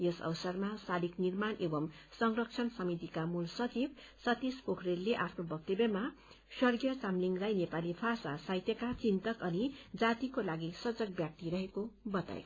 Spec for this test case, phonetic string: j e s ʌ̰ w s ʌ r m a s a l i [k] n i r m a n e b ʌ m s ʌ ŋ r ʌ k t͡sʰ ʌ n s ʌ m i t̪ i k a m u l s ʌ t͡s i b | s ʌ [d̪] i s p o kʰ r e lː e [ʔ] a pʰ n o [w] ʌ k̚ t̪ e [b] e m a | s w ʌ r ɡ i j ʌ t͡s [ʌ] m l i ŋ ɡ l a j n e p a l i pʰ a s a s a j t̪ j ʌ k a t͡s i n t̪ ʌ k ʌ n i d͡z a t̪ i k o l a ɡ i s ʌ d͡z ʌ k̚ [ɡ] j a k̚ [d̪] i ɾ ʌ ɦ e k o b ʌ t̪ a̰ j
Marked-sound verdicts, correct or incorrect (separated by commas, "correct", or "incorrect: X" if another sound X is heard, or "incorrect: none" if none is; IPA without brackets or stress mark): correct, incorrect: t̪, correct, incorrect: b, correct, incorrect: a, incorrect: b, incorrect: t̪